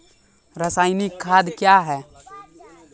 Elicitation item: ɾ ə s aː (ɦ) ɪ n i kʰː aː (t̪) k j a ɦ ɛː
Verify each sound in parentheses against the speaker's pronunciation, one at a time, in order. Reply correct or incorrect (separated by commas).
incorrect, incorrect